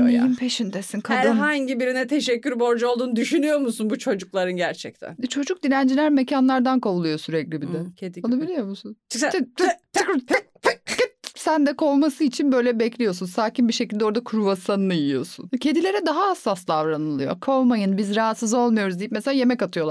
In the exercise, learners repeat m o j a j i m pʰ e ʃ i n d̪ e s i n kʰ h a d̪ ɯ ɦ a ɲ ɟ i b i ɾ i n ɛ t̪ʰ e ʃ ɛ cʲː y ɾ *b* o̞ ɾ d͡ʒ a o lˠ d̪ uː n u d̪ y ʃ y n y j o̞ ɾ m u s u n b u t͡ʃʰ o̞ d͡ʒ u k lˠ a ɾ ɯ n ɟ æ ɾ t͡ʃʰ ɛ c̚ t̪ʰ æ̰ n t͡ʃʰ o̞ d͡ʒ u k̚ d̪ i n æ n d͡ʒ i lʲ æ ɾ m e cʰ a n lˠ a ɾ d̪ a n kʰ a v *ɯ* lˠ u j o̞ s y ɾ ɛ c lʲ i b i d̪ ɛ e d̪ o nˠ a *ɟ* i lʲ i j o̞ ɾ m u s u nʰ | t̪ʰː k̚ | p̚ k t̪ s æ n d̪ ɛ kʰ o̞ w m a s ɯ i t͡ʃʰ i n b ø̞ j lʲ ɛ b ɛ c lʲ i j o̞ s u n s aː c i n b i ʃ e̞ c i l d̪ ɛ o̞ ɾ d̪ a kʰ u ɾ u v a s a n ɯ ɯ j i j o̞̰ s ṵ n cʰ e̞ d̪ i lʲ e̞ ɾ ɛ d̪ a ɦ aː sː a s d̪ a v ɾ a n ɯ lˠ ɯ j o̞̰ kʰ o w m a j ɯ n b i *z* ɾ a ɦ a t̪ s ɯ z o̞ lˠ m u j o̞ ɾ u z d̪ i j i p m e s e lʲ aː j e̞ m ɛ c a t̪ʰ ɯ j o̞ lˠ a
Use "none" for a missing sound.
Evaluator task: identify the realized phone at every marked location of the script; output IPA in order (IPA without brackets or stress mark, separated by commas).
b, u, b, z